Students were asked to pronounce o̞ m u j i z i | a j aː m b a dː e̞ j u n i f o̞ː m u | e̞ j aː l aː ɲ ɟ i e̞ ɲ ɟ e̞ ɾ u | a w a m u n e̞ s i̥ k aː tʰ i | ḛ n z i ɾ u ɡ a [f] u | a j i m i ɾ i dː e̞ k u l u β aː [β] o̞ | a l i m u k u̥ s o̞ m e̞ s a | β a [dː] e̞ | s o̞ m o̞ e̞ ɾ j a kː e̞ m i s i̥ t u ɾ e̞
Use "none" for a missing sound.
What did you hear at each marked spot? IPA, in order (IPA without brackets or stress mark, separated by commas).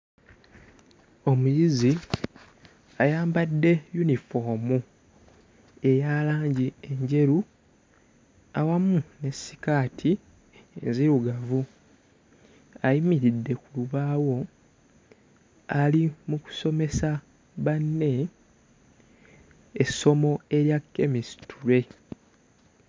v, w, nː